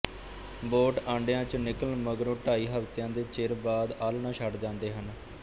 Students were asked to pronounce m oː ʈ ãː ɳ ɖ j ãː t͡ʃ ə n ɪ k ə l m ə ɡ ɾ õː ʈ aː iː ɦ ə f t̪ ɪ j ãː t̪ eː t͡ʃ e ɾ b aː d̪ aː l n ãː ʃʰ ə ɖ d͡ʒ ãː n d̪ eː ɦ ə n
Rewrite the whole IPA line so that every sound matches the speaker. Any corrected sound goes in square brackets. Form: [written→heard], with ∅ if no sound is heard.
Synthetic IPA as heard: [m→b] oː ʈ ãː ɳ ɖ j ãː t͡ʃ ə n ɪ k ə l m ə ɡ ɾ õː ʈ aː iː ɦ ə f t̪ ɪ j ãː [t̪→d̪] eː t͡ʃ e ɾ b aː d̪ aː l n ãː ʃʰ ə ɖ d͡ʒ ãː n d̪ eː ɦ ə n